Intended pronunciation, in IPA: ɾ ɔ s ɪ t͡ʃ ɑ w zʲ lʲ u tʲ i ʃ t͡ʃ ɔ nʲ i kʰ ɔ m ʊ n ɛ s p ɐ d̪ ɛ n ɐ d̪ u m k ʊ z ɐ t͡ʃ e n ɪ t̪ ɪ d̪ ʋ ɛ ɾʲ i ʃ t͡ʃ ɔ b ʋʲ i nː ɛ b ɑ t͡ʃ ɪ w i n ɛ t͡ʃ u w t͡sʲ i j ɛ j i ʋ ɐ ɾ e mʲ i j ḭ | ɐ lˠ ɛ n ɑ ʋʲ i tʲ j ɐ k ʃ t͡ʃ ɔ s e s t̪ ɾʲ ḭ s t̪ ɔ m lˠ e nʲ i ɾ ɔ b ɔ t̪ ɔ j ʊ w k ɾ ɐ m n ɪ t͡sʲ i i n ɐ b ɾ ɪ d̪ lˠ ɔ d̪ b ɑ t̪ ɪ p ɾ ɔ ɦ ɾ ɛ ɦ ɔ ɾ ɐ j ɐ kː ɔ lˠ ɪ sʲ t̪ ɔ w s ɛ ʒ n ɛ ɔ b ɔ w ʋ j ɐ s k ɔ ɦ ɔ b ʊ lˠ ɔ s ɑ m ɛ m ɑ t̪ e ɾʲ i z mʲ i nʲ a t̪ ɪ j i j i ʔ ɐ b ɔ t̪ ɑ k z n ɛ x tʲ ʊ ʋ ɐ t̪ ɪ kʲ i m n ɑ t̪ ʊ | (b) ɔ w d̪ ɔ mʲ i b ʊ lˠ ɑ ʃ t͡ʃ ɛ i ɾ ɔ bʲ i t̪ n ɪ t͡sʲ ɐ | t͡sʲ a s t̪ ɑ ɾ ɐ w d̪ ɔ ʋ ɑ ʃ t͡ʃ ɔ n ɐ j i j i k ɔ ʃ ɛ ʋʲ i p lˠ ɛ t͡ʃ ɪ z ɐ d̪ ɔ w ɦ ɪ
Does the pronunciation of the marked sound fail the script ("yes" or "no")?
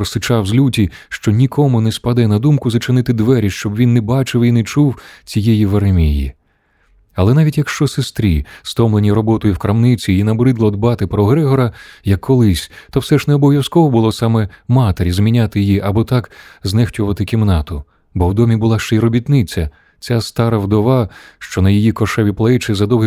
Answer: no